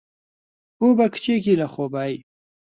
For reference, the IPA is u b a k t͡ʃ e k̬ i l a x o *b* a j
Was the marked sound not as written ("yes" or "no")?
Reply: no